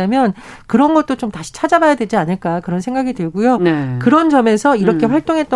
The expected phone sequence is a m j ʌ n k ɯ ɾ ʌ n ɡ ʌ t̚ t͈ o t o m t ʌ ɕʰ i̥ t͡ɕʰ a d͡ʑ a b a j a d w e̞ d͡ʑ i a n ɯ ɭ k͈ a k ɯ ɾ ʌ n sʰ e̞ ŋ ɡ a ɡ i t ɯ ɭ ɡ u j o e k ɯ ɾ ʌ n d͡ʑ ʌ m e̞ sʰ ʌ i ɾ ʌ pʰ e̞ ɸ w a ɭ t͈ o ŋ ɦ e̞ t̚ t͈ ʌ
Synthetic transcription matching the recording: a m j ʌ n k ɯ ɾ ʌ n ɡ ʌ t̚ t͈ o t͡ɕ o m t a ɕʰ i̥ t͡ɕʰ a d͡ʑ a b a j a d w e̞ d͡ʑ i a n ɯ ɭ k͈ a k ɯ ɾ ʌ n sʰ e̞ ŋ ɡ a ɡ i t ɯ ɭ ɡ u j o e k ɯ ɾ ʌ n d͡ʑ ʌ m e̞ sʰ ʌ i ɾ ʌ kʰ e̞ ɸ w a ɭ t͈ o ŋ ɦ e̞ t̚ t͈ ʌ